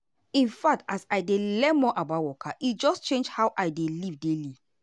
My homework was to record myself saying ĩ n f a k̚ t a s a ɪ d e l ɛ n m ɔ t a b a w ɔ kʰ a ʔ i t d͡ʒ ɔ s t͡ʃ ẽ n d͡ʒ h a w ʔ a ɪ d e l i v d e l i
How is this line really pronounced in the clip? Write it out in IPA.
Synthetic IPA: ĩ n f a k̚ t a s a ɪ d e l ɛ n m ɔ ʔ a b a w ɔ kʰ a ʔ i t d͡ʒ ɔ s t͡ʃ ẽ n d͡ʒ h a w ʔ a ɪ d e l i v d e l i